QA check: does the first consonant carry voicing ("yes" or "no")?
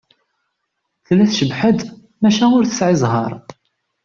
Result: no